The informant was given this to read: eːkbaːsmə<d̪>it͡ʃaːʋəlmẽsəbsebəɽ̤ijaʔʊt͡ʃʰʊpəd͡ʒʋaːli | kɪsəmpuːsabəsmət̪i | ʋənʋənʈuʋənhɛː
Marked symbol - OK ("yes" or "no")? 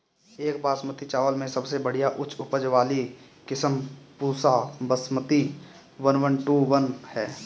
no